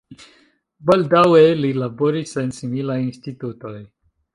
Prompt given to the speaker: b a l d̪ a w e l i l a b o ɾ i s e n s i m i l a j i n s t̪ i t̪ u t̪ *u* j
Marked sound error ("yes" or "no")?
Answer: yes